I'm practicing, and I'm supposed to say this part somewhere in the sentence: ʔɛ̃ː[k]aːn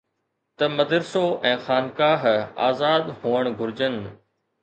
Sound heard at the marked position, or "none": x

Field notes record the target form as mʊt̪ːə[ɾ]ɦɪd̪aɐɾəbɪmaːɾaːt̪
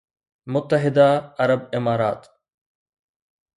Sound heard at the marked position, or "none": none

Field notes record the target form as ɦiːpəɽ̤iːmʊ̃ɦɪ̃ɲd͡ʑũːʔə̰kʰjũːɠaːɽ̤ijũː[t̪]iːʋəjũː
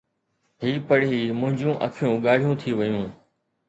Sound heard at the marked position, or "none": t̪ʰ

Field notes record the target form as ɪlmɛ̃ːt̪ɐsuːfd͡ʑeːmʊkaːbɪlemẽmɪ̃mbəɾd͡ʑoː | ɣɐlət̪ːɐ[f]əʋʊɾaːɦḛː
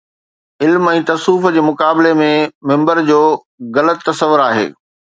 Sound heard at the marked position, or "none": s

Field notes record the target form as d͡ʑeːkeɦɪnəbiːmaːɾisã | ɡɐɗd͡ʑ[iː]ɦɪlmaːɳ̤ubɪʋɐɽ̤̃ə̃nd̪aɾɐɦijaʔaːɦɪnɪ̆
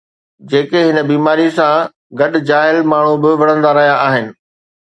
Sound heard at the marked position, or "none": aː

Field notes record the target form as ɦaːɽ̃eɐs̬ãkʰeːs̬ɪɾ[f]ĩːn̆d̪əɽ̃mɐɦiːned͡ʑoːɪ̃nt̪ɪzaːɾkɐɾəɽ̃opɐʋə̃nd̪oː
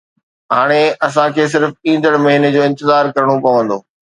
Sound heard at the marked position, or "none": f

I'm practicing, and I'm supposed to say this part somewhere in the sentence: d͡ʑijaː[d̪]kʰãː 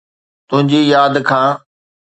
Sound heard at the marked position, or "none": d̪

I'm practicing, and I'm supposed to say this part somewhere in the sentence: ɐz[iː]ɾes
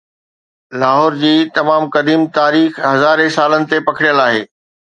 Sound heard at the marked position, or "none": aː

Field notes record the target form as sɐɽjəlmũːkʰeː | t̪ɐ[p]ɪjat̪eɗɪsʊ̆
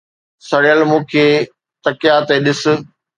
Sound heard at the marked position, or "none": k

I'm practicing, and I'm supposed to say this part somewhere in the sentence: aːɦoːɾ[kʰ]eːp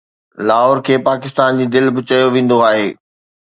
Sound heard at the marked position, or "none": kʰ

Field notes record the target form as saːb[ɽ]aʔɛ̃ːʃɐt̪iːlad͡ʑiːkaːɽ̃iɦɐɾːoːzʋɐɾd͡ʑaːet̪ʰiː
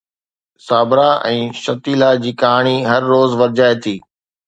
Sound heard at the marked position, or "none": ɾ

